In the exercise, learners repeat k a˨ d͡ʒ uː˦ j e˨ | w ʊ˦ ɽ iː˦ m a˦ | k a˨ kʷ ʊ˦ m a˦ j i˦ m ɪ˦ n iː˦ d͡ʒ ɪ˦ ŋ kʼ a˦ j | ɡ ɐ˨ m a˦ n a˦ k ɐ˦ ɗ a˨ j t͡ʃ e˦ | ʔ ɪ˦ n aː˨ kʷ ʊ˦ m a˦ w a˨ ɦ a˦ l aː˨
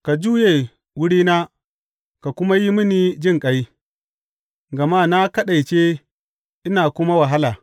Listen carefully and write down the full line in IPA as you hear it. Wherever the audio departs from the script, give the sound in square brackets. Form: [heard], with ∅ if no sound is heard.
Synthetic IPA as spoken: k a˨ d͡ʒ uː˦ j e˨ | w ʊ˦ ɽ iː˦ [n] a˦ | k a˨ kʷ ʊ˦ m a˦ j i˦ m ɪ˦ n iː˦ d͡ʒ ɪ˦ ŋ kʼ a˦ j | ɡ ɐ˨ m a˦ n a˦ k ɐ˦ ɗ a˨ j t͡ʃ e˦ | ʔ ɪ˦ n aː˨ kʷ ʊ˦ m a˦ w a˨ ɦ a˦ l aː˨